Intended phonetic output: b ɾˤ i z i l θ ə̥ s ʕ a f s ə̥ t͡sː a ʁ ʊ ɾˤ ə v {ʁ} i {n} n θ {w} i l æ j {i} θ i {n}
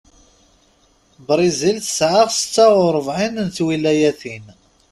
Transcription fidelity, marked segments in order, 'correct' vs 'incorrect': incorrect: ʕ, correct, correct, incorrect: æ, correct

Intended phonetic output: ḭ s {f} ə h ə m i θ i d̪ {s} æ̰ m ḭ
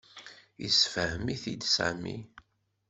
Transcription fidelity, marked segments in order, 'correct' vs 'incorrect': correct, correct

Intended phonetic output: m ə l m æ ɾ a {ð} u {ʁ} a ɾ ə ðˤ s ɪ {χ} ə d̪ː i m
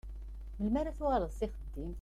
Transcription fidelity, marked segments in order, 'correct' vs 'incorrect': incorrect: θ, correct, correct

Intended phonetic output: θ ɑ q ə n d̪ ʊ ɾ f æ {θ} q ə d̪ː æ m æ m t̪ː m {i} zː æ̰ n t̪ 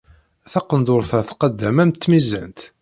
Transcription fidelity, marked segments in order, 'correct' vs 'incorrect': correct, correct

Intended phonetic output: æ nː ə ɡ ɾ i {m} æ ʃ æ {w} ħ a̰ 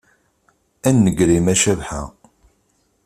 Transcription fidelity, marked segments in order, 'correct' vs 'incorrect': correct, incorrect: v

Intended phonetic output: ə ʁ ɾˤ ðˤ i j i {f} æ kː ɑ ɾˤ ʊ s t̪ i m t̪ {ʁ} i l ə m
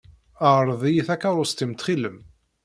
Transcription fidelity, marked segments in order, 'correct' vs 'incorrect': incorrect: θ, incorrect: χ

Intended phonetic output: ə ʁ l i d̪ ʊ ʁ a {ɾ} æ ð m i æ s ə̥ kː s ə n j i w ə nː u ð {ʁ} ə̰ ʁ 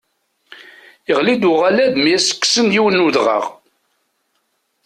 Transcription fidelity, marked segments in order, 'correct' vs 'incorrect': incorrect: l, correct

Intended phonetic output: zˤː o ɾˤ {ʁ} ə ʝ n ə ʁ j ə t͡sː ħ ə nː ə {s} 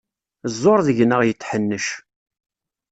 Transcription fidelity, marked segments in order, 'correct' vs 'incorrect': incorrect: ð, incorrect: ʃ

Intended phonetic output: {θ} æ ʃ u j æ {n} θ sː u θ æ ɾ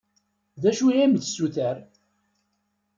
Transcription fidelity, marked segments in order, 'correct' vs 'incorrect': incorrect: ð, incorrect: m

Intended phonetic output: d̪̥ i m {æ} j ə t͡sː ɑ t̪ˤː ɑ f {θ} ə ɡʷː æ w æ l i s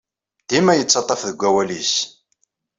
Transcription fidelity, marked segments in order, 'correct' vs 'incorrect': correct, incorrect: ð

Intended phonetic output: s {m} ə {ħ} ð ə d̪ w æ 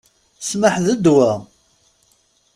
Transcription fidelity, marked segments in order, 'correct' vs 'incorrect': correct, correct

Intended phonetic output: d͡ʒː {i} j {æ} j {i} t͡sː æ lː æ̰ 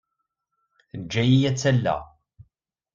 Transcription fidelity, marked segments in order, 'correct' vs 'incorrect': incorrect: æ, incorrect: i, incorrect: æ

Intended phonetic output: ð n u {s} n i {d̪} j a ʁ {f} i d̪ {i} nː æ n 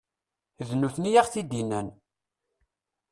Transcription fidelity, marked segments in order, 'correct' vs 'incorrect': incorrect: θ, incorrect: none, incorrect: θ, correct

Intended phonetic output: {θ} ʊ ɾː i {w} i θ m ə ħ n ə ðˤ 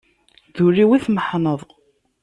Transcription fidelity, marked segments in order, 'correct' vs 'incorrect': incorrect: ð, correct

